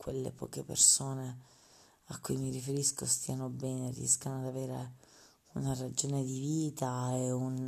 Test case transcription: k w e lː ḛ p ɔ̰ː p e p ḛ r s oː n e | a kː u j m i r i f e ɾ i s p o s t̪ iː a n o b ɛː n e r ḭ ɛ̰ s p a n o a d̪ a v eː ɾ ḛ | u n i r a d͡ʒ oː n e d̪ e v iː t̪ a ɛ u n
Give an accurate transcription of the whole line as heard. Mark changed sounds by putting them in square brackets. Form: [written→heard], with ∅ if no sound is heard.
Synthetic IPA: k w e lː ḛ p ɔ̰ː [p→k] e p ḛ r s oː n e | a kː u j m i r i f e ɾ i s [p→k] o s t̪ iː a n o b ɛː n e r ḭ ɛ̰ s [p→k] a n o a d̪ a v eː ɾ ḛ | u n [i→a] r a d͡ʒ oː n e d̪ [e→i] v iː t̪ a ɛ u n